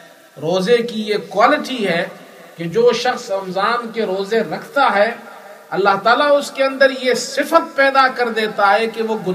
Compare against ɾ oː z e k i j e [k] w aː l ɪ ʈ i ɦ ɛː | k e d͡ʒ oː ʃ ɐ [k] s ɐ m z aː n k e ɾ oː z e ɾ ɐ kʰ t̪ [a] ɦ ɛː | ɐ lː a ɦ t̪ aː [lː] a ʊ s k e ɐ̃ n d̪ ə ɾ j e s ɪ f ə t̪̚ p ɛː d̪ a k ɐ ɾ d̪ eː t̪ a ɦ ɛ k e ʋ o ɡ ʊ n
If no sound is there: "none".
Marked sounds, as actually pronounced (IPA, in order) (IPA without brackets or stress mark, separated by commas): k, x, a, l